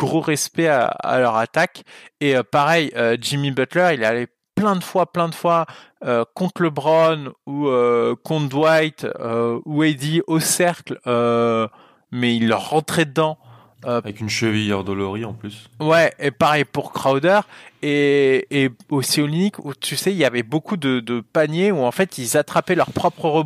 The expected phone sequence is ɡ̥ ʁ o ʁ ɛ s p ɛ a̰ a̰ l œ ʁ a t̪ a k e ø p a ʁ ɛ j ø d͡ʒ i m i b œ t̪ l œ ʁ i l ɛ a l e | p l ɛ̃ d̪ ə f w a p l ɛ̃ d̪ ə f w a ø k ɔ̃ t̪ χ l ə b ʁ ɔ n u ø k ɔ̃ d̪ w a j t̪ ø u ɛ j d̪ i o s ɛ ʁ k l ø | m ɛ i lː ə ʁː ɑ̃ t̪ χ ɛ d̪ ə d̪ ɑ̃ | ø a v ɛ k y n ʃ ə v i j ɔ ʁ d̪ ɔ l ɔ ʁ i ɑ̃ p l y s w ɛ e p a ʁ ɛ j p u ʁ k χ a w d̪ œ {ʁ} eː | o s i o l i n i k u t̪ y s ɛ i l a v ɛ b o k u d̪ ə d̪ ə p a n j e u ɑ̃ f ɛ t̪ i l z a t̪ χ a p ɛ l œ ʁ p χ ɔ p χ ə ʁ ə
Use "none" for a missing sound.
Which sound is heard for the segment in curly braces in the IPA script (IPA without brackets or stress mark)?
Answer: ʁ